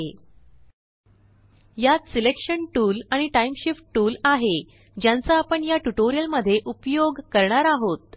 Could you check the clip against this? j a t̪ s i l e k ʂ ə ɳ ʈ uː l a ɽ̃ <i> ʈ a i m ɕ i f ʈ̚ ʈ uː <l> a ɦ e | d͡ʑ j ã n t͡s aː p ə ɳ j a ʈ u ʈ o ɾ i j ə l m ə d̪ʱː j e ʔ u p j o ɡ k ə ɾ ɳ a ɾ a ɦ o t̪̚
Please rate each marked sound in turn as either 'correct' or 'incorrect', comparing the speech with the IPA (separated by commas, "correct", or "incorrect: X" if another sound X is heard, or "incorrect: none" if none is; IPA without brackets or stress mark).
correct, correct